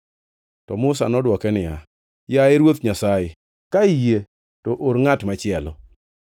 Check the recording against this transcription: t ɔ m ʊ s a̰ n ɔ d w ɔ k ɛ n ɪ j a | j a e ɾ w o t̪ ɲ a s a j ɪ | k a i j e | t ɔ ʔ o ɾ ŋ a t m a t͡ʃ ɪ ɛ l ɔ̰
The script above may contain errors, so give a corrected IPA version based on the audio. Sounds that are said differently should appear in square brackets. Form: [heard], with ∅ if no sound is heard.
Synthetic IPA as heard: t ɔ m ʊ s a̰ n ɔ d w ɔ k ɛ n ɪ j a | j a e ɾ w o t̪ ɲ a s a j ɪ | k a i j e | t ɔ ʔ o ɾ ŋ a t m a t͡ʃ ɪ ɛ l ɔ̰